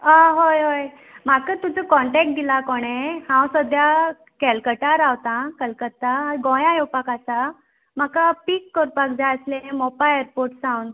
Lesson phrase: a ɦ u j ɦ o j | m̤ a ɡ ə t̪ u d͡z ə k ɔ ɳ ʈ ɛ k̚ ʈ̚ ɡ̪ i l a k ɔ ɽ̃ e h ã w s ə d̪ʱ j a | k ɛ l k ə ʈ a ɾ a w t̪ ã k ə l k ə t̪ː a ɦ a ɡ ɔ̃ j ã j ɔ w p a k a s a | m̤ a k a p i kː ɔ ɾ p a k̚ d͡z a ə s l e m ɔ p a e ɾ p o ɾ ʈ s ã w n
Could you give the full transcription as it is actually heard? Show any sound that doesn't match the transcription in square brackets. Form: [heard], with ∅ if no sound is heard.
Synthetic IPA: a ɦ [o] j ɦ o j | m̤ a [k] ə t̪ u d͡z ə k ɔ ɳ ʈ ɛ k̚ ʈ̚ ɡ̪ i l a k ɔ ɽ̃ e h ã w s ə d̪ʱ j a | k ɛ l k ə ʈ a ɾ a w t̪ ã k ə l k ə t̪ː a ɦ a ɡ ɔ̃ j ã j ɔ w p a k a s a | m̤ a k a p i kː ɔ ɾ p a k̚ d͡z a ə s l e m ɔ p a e ɾ p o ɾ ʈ s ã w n